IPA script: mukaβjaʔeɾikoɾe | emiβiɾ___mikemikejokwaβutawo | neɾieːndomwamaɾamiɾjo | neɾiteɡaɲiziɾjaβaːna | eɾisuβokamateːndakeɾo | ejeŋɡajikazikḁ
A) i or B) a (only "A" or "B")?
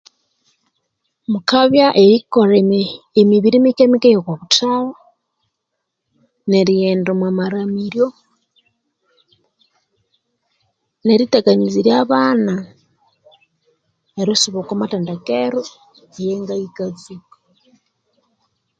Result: A